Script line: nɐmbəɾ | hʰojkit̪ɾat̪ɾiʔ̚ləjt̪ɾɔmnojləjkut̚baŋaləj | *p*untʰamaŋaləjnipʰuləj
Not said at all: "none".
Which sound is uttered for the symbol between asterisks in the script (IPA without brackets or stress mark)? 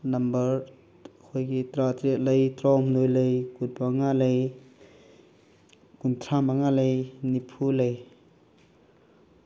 k